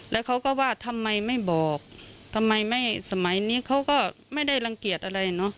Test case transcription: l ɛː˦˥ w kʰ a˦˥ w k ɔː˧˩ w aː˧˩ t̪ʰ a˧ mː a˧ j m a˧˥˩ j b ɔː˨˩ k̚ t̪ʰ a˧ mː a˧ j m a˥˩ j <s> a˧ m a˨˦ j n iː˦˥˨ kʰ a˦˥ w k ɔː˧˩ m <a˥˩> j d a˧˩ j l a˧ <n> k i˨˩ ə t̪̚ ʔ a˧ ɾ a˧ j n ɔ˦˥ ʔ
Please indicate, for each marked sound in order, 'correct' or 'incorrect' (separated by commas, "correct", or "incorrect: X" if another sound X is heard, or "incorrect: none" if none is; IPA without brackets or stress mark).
correct, correct, incorrect: ŋ